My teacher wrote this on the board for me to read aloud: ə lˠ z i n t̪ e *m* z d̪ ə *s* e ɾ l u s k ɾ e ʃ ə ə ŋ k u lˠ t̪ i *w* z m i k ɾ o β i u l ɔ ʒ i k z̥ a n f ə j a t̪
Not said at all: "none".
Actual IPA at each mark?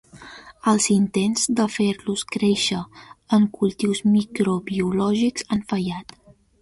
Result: n, f, w

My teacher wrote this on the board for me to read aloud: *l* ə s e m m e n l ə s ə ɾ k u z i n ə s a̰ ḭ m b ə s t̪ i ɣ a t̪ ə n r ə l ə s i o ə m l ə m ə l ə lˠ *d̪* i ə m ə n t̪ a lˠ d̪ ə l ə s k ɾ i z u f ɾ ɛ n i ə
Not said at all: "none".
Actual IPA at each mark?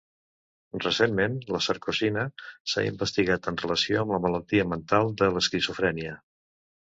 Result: r, t̪

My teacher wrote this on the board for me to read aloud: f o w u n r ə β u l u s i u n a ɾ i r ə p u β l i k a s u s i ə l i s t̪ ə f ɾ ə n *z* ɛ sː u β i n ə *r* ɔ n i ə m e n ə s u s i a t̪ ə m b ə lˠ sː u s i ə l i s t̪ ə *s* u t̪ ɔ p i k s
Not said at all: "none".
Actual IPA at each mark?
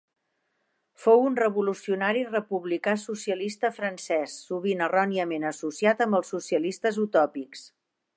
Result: s, r, z

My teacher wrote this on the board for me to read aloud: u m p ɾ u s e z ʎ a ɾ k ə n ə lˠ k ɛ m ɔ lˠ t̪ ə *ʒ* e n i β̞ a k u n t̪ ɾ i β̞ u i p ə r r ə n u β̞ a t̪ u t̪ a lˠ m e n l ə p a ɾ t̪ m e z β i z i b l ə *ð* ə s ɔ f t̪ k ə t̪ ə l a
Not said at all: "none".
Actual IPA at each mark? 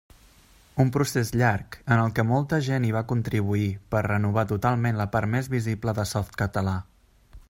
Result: ʒ, ð

